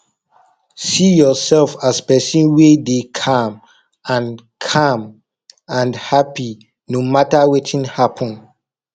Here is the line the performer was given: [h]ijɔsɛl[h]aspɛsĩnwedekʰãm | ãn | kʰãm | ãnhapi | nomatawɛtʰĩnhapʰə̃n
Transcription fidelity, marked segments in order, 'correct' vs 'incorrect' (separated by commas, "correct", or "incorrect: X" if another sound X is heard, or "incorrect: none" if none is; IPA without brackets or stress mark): incorrect: s, incorrect: f